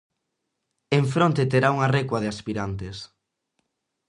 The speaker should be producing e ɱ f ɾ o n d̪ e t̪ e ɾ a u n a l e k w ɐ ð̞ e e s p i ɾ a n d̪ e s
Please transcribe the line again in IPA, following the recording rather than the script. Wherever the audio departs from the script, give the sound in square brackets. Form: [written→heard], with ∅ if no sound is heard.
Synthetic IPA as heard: e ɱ f ɾ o n [d̪→t̪] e t̪ e ɾ a u [n→ŋ] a [l→r] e k w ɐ ð̞ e [e→a] s p i ɾ a n [d̪→t̪] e s